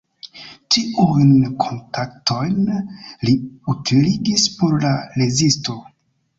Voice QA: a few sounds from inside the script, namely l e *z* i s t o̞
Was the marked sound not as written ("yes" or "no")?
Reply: no